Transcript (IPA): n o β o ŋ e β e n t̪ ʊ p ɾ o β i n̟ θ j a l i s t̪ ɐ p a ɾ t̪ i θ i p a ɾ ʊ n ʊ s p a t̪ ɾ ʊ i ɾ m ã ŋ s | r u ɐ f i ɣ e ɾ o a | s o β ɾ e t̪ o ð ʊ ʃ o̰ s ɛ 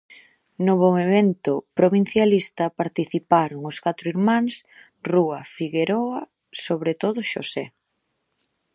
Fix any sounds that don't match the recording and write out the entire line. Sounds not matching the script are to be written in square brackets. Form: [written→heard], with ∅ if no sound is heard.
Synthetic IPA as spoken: n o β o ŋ e β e n t̪ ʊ p ɾ o β i n̟ θ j a l i s t̪ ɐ p a ɾ t̪ i θ i p a ɾ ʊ [n→ŋ] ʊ s [p→k] a t̪ ɾ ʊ i ɾ m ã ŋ s | r u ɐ f i ɣ e ɾ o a | s o β ɾ e t̪ o ð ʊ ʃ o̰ s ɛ